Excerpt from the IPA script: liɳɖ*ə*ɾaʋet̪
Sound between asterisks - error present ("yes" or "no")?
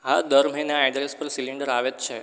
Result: no